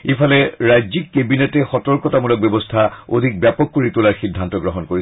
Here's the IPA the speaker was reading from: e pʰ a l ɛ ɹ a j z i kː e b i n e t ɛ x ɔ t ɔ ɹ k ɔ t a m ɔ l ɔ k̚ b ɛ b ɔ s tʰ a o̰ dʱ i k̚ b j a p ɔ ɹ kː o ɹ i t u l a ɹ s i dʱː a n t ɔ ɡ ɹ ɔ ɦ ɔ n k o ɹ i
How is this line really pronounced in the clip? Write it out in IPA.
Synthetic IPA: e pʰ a l ɛ ɹ a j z i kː e b i n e t ɛ x ɔ t ɔ ɹ k ɔ t a m u l ɔ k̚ b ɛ b ɔ s tʰ a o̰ dʱ i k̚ b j a p ɔ kː o ɹ i t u l a ɹ x i dʱː a n t ɔ ɡ ɹ ɔ ɦ ɔ n k o ɹ i